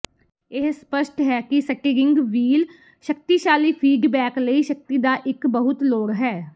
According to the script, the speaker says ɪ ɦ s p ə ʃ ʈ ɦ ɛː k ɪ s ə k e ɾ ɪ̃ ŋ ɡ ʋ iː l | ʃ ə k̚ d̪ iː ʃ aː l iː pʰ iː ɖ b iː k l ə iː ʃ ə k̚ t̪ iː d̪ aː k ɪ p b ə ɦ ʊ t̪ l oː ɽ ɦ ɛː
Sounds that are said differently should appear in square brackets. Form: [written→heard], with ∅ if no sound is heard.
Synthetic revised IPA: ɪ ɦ s p ə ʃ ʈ ɦ ɛː k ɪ s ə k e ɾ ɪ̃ ŋ ɡ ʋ iː l | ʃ ə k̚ [d̪→t̪] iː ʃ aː l iː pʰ iː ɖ b [iː→ɛː] k l ə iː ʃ ə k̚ t̪ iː d̪ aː [k→ʔ] ɪ [p→k] b ə ɦ ʊ t̪ l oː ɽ ɦ ɛː